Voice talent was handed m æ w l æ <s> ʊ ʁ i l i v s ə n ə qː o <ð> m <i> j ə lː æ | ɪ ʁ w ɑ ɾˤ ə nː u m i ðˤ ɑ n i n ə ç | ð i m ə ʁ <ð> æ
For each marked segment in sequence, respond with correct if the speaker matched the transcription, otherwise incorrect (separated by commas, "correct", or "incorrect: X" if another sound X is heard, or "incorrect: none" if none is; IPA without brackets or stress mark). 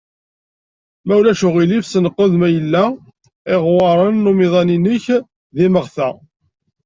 incorrect: ʃ, correct, incorrect: æ, incorrect: θ